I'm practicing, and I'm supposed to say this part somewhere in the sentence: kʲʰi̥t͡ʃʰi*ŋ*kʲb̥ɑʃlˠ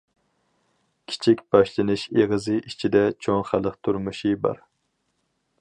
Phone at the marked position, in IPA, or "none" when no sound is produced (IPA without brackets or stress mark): none